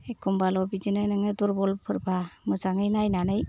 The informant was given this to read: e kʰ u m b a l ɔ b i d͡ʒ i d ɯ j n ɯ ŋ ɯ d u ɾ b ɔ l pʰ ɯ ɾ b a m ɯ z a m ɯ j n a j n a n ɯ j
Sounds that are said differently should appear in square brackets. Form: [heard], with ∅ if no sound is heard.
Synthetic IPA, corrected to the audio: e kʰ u m b a l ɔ b i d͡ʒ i [n] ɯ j n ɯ ŋ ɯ d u ɾ b ɔ l pʰ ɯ ɾ b a m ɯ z a [ŋ] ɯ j n a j n a n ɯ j